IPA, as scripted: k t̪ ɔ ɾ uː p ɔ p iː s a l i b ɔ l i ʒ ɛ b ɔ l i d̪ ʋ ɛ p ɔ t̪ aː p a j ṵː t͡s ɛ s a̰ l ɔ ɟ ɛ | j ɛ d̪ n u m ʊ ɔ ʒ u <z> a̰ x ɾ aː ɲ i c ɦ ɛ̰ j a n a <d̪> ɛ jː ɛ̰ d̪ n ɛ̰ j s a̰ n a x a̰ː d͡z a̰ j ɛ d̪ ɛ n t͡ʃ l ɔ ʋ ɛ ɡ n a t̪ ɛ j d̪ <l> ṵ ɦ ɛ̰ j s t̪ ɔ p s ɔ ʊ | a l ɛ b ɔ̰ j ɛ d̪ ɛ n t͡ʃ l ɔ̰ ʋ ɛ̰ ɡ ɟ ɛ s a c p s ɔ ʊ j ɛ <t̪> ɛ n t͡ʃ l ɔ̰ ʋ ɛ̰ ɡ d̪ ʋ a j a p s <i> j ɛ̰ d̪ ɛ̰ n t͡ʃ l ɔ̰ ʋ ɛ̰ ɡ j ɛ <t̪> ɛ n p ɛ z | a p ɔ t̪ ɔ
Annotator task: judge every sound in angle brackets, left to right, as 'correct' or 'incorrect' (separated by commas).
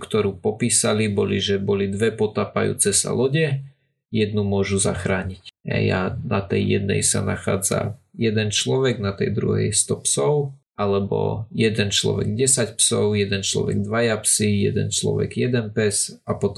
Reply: correct, incorrect, incorrect, incorrect, correct, incorrect